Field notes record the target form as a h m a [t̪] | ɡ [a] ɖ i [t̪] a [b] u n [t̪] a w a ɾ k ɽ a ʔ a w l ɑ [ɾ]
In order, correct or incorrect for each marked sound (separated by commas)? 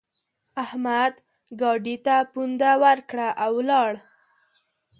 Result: incorrect, incorrect, correct, incorrect, incorrect, incorrect